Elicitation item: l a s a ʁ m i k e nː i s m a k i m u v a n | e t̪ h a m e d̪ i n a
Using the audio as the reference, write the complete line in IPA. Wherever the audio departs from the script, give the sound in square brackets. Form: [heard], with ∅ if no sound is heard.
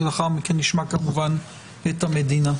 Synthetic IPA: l a [χ] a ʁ m i k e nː i [ʃ] m a k [a] m u v a n | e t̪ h a m e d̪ i n a

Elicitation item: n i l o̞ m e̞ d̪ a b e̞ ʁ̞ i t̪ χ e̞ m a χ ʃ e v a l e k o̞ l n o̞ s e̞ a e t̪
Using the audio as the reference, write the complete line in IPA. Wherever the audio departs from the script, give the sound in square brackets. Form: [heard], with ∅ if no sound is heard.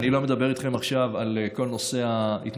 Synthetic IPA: n i l o̞ m e̞ d̪ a b e̞ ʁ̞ i t̪ χ e̞ m a χ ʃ [a] v a l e k o̞ l n o̞ s e̞ a [i] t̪

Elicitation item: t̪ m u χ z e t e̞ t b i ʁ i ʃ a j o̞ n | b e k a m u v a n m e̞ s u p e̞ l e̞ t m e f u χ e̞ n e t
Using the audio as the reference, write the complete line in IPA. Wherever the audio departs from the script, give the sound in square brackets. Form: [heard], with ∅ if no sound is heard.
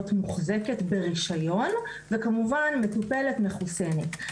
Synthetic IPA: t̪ m u χ z e [k] e̞ t b [e] ʁ i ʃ a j o̞ n | [v] e k a m u v a n m e̞ [t] u p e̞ l e̞ t m e [χ] u [s] e̞ n e t

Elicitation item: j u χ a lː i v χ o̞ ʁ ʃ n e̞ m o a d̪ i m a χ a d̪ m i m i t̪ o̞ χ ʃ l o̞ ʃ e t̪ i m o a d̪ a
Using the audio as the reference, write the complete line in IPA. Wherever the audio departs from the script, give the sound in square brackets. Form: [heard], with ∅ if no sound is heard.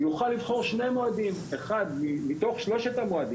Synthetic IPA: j u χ a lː i v χ o̞ ʁ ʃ n e̞ m o a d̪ i m [e] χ a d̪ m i m i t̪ o̞ χ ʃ l o̞ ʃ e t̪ [a] m o a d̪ [i]

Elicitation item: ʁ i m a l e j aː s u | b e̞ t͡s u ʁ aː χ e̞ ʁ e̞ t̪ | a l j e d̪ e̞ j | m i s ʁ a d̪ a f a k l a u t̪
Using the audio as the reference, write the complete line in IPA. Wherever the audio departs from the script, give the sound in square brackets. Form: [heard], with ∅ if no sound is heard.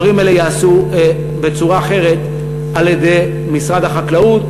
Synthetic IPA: ʁ i m [e] l e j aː s u | b e̞ t͡s u ʁ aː χ e̞ ʁ e̞ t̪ | a l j e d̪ e̞ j | m i s ʁ a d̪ a [χ] a k l a u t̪

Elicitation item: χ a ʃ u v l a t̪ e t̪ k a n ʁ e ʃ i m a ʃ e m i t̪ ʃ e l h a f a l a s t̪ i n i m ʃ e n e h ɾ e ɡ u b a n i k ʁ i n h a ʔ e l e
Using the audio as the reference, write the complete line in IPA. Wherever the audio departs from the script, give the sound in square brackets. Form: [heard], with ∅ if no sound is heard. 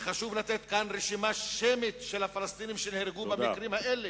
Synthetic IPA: χ a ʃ u v l a t̪ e t̪ k a n ʁ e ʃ i m a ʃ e m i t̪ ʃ e l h a f a l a s t̪ i n i m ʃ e n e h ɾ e ɡ u b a [m] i k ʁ i [m] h a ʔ e l e

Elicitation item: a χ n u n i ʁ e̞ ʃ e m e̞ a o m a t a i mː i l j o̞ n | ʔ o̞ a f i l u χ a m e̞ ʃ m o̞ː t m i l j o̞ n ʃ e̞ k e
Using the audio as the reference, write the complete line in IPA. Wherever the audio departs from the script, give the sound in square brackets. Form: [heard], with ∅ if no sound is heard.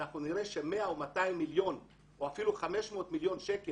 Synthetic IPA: a χ n u n i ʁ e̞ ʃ e m e̞ a o m a t a i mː i l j o̞ n | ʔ o̞ a f i l u χ a m e̞ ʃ m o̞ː t m i l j o̞ n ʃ e̞ k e

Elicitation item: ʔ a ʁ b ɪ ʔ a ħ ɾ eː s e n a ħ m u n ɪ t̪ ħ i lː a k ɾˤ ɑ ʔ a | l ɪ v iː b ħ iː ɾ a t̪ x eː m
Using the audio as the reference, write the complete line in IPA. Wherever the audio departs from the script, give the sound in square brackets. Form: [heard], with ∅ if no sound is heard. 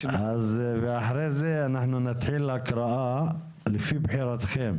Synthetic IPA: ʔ a [z] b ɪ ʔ a ħ ɾ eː [z] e n a ħ [n] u n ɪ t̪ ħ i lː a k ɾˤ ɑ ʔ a | l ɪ [f] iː b ħ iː ɾ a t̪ x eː m

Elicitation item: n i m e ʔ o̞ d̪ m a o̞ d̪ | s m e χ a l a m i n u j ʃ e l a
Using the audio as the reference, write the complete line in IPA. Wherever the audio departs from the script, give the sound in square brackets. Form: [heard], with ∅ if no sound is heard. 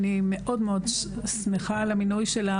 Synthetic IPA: n i m e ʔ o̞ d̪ m [e] o̞ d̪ | s m e χ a l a m i n u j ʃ e l a

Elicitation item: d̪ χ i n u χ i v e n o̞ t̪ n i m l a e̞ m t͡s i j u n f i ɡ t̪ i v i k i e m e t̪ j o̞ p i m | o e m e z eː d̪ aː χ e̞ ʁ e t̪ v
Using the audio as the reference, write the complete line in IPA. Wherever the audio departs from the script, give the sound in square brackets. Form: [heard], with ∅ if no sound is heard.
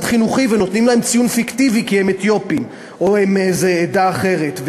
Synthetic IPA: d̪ χ i n u χ i v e n o̞ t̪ n i m l a e̞ m t͡s i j u n f i [k] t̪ i v i k i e m e t̪ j o̞ p i m | o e m e z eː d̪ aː χ e̞ ʁ e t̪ v

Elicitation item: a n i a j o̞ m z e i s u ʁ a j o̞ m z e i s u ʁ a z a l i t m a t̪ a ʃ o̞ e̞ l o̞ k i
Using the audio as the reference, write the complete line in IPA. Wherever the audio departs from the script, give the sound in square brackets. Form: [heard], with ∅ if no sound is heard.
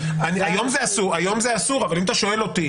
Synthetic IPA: a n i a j o̞ m z e [a] s u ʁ a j o̞ m z e [a] s u ʁ a [v] a l i [∅] m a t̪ a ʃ o̞ e̞ l o̞ [t] i

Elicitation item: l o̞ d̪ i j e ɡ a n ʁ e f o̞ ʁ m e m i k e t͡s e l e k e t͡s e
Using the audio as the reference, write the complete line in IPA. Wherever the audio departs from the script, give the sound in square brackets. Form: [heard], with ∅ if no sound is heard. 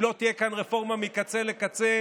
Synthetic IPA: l o̞ [t̪] i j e [k] a n ʁ e f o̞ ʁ m [a] m i k [a] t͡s e l e k [a] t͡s e

